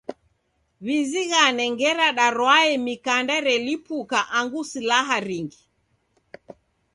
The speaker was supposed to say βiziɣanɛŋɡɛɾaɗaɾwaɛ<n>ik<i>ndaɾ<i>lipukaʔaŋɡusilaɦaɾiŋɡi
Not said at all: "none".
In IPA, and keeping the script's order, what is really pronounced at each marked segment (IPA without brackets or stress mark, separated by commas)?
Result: m, a, ɛ